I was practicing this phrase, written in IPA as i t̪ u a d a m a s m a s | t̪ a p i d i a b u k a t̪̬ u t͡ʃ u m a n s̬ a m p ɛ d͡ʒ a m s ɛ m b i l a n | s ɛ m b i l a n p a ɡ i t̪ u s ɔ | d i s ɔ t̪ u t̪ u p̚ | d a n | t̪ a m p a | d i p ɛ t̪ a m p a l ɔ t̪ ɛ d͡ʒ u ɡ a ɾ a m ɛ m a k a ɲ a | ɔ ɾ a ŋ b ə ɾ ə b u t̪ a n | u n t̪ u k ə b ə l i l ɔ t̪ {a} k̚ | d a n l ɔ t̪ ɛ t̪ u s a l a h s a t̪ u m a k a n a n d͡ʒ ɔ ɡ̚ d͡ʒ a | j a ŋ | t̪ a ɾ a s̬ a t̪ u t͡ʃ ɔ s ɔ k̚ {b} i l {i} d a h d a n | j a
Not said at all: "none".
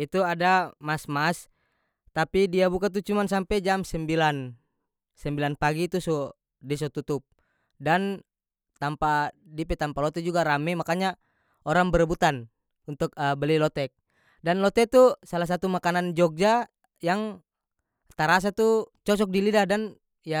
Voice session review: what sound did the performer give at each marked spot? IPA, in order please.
ɛ, d, i

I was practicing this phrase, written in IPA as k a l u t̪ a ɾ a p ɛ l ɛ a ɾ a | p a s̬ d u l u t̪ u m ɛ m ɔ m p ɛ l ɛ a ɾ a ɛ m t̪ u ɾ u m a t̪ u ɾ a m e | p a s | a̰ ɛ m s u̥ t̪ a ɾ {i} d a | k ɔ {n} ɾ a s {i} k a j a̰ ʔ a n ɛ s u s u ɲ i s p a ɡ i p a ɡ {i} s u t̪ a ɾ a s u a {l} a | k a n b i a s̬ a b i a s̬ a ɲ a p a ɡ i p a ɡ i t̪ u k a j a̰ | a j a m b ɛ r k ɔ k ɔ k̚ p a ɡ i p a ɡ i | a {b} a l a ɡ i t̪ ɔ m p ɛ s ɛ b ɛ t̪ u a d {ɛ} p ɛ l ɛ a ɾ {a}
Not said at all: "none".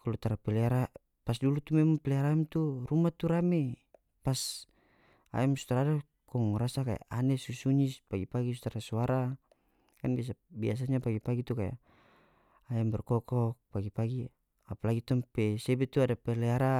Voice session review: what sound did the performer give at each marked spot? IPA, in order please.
a, ŋ, a, i, ɾ, p, a, a

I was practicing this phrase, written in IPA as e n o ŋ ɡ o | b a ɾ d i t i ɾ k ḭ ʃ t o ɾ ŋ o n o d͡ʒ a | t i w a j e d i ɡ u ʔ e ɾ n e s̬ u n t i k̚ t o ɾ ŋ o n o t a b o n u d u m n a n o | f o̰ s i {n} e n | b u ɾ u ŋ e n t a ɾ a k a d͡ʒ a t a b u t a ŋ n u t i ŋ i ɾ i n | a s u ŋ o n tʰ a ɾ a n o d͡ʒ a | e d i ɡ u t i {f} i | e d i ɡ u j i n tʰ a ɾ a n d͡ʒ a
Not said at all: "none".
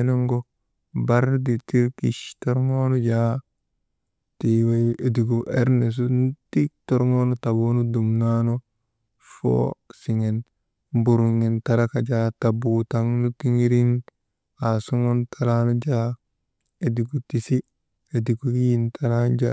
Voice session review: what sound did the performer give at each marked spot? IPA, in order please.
ŋ, s

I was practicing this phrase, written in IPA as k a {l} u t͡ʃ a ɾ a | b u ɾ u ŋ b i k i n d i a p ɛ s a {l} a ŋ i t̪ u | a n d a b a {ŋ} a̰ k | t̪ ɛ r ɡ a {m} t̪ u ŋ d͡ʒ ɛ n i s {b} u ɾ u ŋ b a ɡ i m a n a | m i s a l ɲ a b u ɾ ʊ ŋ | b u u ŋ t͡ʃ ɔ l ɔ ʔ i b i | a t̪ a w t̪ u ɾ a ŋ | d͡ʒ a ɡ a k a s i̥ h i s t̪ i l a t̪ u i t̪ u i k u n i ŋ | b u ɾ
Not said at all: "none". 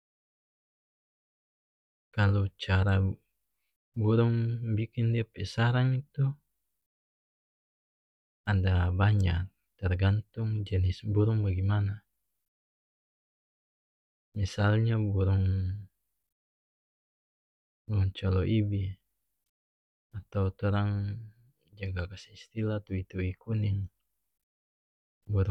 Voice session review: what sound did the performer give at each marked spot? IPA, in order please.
l, ɾ, ɲ, n, b

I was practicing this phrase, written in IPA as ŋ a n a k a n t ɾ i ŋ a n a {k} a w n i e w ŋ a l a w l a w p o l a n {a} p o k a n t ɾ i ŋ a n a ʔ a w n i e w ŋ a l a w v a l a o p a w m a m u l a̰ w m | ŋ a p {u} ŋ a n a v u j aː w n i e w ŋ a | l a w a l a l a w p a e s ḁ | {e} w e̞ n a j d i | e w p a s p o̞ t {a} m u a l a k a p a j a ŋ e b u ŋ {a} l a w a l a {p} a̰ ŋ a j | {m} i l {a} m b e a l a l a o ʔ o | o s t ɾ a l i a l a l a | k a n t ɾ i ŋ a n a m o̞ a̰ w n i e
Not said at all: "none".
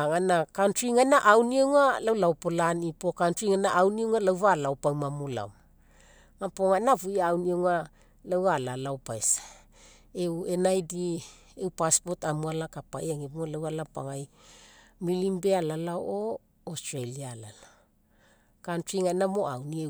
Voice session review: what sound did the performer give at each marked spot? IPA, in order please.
ʔ, i, o, e, a, a, p, m, i

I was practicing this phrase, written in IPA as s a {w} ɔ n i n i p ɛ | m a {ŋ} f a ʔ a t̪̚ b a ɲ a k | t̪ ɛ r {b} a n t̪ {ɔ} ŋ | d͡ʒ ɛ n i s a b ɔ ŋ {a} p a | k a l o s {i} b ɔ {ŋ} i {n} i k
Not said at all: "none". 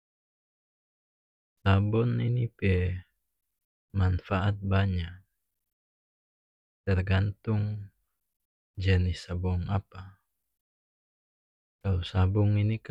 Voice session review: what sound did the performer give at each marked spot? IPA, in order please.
b, n, ɡ, u, a, a, ŋ, n

